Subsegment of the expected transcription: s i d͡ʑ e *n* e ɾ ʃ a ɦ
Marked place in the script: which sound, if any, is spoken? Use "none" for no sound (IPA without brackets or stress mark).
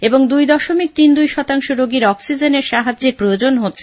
n